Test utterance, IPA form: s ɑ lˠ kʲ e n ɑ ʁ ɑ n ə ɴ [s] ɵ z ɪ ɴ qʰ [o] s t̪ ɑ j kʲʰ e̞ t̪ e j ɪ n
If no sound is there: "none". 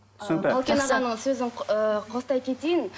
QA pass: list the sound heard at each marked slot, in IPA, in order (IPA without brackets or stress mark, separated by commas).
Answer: s, o